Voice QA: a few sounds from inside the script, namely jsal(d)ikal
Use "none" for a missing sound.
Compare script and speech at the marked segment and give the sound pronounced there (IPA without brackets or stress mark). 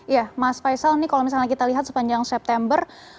n